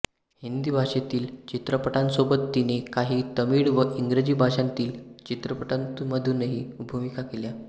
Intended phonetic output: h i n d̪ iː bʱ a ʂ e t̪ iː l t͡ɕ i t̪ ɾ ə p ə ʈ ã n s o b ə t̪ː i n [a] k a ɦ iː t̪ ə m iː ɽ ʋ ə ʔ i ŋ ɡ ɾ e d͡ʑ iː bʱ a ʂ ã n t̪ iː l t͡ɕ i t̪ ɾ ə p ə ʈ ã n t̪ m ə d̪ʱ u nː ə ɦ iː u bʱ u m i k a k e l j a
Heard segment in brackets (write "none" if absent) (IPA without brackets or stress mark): e